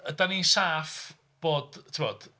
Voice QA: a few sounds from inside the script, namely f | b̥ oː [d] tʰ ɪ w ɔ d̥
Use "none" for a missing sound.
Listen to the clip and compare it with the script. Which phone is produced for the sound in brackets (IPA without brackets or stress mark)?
d